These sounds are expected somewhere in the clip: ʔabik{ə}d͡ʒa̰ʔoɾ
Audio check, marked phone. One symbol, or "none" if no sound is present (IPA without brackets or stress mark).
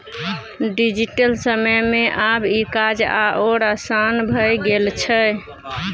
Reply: a